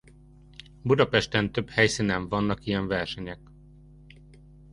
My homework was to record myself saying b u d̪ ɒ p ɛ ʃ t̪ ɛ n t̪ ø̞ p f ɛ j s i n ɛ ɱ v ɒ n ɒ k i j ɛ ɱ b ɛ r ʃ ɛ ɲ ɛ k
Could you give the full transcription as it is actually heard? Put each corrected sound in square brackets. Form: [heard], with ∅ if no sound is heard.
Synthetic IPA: b u d̪ ɒ p ɛ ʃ t̪ ɛ n t̪ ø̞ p [h] ɛ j s i n ɛ ɱ v ɒ [nː] ɒ k i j ɛ ɱ [v] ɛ r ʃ ɛ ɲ ɛ k